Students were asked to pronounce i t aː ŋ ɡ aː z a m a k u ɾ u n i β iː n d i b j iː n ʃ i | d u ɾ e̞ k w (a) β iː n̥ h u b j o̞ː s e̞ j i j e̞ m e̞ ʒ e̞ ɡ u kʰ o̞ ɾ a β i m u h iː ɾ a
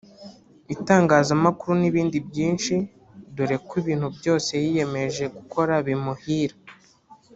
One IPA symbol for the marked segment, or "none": i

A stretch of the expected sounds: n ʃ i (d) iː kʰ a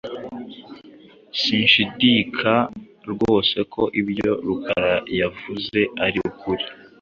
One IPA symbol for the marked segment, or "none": d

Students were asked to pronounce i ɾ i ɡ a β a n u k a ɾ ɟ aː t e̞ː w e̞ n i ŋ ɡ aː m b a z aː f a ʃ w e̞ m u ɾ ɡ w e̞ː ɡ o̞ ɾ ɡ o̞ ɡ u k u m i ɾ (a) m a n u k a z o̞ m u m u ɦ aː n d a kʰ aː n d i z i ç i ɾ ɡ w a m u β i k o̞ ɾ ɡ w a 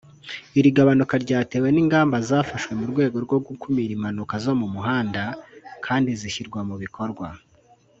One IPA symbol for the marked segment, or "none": i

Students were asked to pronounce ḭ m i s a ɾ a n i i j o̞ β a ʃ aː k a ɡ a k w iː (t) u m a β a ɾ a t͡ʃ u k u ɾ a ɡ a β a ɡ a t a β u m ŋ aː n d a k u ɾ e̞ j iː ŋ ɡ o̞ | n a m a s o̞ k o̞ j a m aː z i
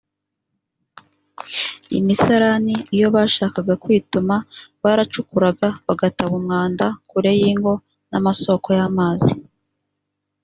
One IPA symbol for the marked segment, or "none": t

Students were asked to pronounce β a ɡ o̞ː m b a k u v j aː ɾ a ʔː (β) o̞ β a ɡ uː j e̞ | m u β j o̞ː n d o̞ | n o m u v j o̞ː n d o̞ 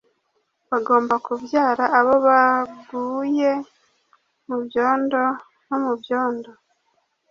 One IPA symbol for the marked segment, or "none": β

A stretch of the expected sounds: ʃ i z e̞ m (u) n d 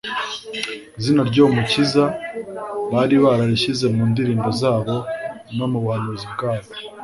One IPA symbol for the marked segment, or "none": uː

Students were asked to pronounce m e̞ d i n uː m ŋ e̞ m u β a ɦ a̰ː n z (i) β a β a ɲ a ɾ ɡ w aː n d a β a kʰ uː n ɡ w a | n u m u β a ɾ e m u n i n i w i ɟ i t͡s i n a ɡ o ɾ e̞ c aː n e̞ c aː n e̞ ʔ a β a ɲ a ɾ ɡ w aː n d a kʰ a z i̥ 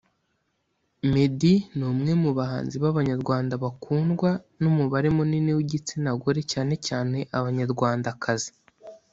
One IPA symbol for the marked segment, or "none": i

